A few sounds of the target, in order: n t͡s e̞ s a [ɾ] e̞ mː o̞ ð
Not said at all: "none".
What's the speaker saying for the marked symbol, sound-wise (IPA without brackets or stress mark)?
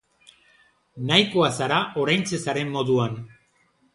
ɾ